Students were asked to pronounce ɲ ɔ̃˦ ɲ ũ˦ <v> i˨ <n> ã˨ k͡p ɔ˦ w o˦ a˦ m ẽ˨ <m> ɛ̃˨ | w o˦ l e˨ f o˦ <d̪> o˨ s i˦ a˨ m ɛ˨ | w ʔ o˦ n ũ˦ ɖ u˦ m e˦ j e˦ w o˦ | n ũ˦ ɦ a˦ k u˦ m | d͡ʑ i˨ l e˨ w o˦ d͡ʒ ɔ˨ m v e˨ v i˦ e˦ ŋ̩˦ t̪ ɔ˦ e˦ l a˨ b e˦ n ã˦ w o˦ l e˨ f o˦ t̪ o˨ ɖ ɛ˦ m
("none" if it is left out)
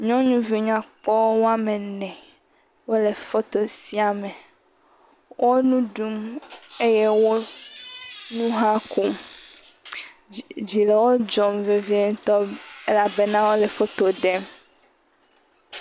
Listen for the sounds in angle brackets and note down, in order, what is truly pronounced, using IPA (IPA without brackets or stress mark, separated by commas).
v, ɲ, n, t̪